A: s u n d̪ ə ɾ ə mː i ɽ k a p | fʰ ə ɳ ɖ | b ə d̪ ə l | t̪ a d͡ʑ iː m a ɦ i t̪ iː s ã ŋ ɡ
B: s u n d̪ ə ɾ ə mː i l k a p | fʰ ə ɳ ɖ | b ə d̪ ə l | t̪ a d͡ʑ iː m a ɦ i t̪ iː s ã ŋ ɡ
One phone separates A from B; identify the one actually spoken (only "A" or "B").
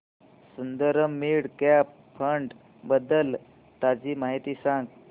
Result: A